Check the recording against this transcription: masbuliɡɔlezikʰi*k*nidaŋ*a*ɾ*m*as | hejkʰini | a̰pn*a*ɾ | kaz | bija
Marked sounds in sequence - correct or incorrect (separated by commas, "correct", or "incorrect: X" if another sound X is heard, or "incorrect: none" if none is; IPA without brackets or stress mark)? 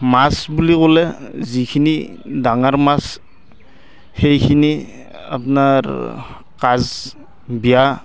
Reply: incorrect: none, correct, correct, correct